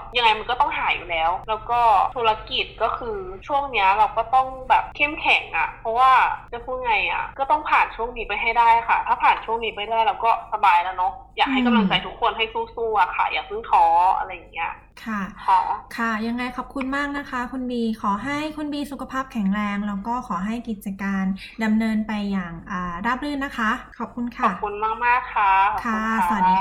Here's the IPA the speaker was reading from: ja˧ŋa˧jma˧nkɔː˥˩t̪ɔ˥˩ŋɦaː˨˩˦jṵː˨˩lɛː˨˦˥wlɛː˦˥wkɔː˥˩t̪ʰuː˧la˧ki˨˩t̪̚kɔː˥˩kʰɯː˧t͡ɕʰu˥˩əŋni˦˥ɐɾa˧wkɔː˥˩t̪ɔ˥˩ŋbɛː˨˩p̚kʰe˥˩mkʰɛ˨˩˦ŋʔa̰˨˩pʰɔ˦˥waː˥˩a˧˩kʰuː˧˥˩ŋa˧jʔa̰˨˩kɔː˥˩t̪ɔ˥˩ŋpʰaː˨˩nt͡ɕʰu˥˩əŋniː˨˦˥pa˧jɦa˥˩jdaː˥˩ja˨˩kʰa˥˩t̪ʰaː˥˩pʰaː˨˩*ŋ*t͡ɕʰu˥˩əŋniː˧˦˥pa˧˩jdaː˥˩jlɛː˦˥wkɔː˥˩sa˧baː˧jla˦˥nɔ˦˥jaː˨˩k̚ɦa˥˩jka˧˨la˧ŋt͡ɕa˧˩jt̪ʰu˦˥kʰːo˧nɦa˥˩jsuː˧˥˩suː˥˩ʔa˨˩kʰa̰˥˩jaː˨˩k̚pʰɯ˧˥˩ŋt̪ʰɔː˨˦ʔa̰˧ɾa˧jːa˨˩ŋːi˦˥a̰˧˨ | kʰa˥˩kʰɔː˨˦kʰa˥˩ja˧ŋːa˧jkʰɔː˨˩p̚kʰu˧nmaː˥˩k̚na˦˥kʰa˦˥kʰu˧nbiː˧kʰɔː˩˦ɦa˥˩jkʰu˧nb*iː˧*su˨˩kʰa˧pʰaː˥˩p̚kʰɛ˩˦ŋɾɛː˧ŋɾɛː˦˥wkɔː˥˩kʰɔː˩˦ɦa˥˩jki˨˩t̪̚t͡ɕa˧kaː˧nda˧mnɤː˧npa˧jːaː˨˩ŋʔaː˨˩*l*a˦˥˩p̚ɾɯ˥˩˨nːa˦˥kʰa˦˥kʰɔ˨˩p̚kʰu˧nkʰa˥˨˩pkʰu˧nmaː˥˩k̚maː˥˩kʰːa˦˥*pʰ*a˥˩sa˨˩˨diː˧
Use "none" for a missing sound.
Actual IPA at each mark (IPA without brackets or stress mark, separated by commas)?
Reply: n, iː˧, ɾ, kʰ